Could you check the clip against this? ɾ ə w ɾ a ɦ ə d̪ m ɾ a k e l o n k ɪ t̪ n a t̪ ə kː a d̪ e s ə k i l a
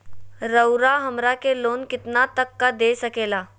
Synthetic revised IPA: ɾ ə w ɾ a ɦ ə m ɾ a k e l o n k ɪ t̪ n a t̪ ə kː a d̪ e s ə k e l a